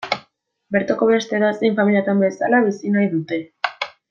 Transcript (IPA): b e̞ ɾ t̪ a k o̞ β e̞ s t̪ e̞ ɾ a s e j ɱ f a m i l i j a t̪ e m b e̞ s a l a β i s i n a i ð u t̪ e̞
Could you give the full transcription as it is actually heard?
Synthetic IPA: b e̞ ɾ t̪ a k o̞ β e̞ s t̪ e̞ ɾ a s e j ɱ f a m i l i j a t̪ a m b e̞ s a l a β i s i n a j ð u t̪ e̞

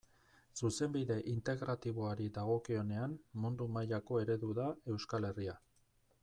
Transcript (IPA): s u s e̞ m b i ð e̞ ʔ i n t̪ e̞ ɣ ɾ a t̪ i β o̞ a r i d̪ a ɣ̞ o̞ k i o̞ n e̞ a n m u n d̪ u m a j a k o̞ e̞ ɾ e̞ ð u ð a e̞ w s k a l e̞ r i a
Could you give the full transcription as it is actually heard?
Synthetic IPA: s u s e̞ m b i ð e̞ ʔ i n t̪ e̞ ɣ ɾ a t̪ i β o̞ a ɾ i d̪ a ɣ̞ o̞ k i o̞ n e̞ a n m u n d̪ u m a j a k o̞ e̞ ɾ e̞ ð u ð a e̞ w s k a l e̞ r i a

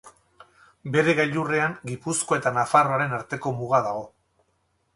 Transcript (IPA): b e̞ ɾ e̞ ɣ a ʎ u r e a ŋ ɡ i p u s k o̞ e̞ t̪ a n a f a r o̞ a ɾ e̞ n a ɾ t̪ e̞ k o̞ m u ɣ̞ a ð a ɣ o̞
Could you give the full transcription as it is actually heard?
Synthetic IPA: b e̞ ɾ e̞ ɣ a ʎ u r e a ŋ ɡ i p u s k o̞ e̞ t̪ a n a f a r o̞ a ɾ e̞ n a ɾ t̪ e̞ k o̞ m u ɣ̞ a ð a ɣ o̞

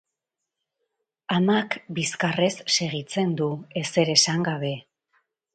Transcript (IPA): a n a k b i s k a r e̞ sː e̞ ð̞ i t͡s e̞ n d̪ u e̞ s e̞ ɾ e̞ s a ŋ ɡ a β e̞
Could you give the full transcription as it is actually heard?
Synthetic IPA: a m a k b i s k a r e̞ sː e̞ ɣ̞ i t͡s e̞ n d̪ u e̞ s e̞ ɾ e̞ s a ŋ ɡ a β e̞

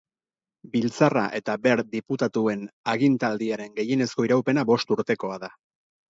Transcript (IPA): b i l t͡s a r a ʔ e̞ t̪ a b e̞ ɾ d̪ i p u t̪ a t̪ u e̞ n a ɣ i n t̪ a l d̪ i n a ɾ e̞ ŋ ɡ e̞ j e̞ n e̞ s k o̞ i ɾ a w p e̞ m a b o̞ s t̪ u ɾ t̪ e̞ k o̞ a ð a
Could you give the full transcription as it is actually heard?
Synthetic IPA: b i l t͡s a r a ʔ e̞ t̪ a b e̞ ɾ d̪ i p u t̪ a t̪ u e̞ n a ɣ i n t̪ a l d̪ i a ɾ e̞ ŋ ɡ e̞ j e̞ n e̞ s k o̞ i ɾ a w p e̞ n a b o̞ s t̪ u ɾ t̪ e̞ k o̞ a ð a

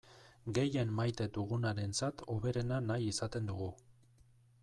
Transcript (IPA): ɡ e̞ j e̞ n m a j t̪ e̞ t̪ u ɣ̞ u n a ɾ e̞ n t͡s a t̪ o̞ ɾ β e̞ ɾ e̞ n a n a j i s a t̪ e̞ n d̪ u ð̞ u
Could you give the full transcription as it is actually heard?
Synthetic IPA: ɡ e̞ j e̞ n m a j t̪ e̞ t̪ u ɣ̞ u n a ɾ e̞ n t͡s a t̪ o̞ β e̞ ɾ e̞ n a n a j i s a t̪ e̞ n d̪ u ɣ̞ u

